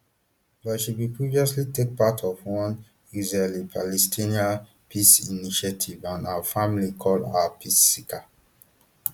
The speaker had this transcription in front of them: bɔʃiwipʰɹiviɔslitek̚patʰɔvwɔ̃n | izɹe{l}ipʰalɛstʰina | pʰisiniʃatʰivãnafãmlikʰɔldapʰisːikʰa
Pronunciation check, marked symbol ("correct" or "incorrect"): correct